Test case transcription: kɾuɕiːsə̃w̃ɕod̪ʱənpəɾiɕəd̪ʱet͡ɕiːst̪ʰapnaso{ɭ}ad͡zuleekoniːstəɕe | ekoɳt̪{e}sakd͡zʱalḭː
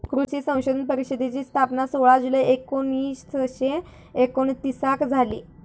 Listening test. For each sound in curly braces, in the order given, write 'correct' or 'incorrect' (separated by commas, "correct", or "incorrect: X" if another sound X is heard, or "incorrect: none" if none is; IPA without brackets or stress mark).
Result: correct, incorrect: i